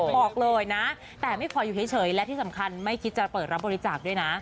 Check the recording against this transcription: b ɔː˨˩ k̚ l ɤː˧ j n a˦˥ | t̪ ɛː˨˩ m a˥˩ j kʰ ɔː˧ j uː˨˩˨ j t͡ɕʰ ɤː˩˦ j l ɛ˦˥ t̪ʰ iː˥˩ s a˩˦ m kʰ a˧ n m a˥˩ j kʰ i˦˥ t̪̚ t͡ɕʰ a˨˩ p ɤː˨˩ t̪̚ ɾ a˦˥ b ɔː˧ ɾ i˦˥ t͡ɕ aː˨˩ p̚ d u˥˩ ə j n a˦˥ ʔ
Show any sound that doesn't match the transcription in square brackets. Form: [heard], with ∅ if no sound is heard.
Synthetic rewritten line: b ɔː˨˩ k̚ l ɤː˧ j n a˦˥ | t̪ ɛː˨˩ m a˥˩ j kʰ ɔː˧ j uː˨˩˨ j t͡ɕʰ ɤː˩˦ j l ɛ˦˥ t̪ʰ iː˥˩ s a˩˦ m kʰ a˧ n m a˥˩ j kʰ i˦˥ t̪̚ [t͡ɕ] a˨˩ p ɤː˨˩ t̪̚ ɾ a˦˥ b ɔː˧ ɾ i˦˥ t͡ɕ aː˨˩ [k̚] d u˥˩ ə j n a˦˥ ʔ